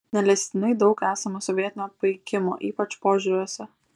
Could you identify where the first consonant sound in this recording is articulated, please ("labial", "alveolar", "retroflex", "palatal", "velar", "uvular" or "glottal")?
alveolar